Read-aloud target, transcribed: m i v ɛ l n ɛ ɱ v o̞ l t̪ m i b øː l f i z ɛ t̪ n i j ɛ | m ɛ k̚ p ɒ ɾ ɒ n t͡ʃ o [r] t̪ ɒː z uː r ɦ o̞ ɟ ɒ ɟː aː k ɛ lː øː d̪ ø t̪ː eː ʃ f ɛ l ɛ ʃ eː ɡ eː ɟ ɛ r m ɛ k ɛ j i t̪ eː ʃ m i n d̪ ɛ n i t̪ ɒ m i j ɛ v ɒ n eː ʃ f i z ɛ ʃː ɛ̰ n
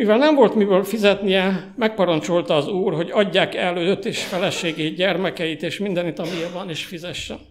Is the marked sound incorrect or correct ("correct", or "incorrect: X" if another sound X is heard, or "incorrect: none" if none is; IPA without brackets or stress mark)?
incorrect: l